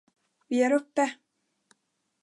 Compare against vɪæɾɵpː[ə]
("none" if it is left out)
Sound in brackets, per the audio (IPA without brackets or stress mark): ə